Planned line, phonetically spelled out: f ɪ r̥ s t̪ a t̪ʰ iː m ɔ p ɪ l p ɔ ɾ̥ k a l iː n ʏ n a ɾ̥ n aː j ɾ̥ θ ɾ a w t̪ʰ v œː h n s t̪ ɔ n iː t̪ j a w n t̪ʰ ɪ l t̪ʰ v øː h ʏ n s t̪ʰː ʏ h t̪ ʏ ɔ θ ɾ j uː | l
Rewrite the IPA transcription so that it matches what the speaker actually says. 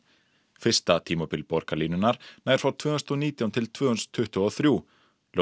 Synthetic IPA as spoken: f ɪ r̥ s t̪ a t̪ʰ iː m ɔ p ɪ l p ɔ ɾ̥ k a l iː n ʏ n a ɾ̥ n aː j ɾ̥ f ɾ a w t̪ʰ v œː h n s t̪ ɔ n iː t̪ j a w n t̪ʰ ɪ l t̪ʰ v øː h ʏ n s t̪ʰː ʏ h t̪ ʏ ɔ θ ɾ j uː | l